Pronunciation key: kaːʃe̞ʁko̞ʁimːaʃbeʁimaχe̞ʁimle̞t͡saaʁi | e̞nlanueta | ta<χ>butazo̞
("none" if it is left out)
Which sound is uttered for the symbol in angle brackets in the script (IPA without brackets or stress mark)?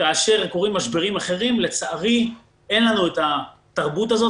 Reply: ʁ